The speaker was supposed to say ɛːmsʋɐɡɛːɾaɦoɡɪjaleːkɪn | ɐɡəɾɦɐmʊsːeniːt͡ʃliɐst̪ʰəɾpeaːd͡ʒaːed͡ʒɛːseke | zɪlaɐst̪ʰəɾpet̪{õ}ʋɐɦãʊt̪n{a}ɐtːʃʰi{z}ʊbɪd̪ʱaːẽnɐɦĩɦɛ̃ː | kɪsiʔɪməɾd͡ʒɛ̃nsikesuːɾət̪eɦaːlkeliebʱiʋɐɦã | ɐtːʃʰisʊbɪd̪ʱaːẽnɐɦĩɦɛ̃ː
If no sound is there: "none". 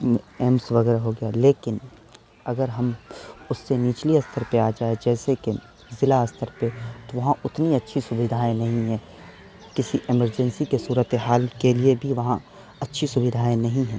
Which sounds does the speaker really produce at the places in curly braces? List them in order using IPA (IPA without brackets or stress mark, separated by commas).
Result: o, i, s